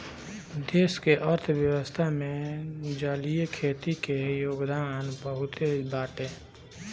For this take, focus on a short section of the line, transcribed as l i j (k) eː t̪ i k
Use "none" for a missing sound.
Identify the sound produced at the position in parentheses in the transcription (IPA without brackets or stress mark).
kʰ